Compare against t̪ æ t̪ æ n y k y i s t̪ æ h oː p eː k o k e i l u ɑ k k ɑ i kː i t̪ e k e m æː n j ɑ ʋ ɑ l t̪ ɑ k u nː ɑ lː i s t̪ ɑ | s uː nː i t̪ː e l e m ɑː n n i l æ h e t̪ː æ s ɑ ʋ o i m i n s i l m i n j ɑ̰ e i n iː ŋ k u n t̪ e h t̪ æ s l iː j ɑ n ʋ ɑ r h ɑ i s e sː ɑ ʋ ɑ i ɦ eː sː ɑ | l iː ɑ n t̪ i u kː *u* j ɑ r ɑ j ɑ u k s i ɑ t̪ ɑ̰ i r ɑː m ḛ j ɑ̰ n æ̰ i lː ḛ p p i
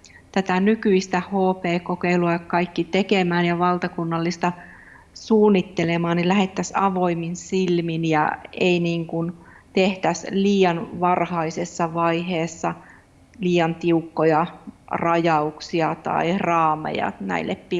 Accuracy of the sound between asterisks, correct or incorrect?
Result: incorrect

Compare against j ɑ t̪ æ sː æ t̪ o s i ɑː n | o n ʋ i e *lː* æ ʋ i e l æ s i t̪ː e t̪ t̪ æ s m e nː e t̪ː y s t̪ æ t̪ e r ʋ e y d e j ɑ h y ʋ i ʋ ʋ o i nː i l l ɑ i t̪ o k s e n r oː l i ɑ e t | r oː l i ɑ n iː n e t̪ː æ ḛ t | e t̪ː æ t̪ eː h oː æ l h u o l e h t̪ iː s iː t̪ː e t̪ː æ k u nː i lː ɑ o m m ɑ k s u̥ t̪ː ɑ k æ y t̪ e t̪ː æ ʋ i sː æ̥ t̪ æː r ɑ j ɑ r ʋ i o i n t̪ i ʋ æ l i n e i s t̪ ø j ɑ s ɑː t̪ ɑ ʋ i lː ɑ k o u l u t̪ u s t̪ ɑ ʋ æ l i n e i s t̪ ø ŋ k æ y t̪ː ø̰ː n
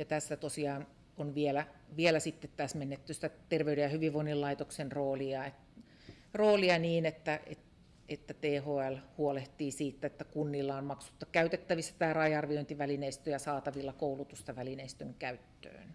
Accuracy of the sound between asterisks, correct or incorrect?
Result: incorrect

